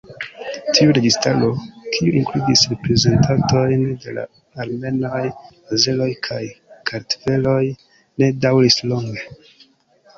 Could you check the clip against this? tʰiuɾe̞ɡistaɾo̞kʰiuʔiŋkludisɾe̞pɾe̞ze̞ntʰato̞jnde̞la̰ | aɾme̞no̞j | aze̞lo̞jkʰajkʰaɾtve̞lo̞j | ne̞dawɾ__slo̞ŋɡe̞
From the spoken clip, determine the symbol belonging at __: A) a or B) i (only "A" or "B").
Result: B